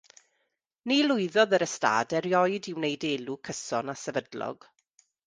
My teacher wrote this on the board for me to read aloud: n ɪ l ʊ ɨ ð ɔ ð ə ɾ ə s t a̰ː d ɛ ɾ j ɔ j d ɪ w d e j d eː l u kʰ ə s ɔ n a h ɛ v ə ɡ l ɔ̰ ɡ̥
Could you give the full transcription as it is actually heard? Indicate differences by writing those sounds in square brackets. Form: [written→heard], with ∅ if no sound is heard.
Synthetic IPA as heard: n [ɪ→i] l ʊ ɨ ð ɔ ð ə ɾ ə s t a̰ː d ɛ ɾ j ɔ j d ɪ w [d→n] e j d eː l u kʰ ə s ɔ n a [h→s] ɛ v ə [ɡ→d] l ɔ̰ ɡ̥